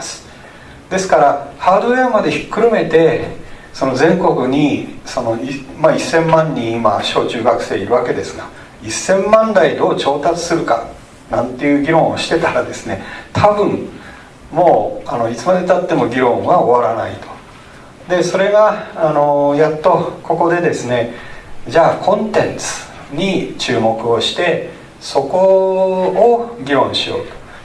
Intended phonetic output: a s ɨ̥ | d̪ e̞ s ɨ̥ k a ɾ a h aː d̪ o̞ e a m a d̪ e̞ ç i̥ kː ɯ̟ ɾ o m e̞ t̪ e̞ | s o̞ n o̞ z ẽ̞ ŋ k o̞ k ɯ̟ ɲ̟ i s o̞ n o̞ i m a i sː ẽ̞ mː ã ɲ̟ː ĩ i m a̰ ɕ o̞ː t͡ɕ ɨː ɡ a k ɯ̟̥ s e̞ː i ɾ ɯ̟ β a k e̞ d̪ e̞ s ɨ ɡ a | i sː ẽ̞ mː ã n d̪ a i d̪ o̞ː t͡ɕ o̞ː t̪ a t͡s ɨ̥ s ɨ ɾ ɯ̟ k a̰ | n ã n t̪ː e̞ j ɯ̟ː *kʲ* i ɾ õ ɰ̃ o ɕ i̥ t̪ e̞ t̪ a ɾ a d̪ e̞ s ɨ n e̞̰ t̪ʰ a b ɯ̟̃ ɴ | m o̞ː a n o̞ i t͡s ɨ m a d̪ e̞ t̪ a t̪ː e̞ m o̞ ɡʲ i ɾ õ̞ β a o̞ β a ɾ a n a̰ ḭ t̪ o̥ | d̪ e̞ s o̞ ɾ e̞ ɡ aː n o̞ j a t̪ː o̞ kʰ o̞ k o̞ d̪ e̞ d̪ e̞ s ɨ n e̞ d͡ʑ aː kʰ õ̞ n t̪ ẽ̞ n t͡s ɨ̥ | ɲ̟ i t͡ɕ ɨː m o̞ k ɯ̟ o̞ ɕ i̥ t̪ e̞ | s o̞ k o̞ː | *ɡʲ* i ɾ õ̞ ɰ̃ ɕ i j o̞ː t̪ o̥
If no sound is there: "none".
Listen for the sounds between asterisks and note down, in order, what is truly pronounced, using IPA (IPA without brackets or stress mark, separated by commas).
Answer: ɡʲ, ɡʲ